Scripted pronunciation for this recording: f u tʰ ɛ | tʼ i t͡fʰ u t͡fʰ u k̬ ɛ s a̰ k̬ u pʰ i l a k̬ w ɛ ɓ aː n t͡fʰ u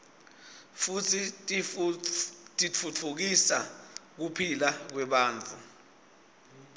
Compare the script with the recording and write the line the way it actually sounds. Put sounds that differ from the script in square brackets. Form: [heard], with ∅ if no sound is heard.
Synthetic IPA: f u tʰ [i] | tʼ i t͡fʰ u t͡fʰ u k̬ [i] s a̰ k̬ u pʰ i l a k̬ w ɛ ɓ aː n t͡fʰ u